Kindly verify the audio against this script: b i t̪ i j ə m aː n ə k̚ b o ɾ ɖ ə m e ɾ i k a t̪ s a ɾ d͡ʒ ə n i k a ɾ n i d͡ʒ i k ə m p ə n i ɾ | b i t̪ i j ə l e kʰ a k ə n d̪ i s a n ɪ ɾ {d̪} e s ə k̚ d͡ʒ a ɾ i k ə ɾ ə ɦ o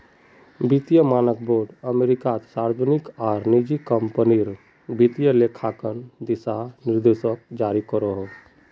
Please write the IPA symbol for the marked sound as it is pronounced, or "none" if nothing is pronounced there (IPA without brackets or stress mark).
d̪